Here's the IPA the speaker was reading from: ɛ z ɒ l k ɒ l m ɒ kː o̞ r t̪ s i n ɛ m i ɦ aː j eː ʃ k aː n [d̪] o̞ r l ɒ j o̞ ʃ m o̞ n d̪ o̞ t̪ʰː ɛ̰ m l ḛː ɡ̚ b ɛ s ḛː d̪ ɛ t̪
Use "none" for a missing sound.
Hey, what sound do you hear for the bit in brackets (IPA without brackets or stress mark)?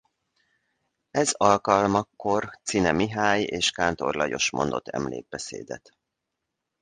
t̪